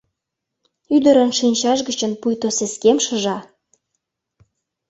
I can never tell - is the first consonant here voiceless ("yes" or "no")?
no